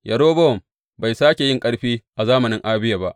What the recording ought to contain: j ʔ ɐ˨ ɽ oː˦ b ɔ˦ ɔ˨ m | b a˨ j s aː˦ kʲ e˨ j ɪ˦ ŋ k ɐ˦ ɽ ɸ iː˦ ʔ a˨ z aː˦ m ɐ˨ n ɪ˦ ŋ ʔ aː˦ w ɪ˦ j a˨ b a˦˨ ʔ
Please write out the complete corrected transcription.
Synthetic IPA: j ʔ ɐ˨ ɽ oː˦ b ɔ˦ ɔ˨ m | b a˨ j s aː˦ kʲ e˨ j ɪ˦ ŋ kʼ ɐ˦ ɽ ɸ iː˦ ʔ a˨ z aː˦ m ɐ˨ n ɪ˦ ŋ ʔ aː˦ b ɪ˦ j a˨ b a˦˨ ʔ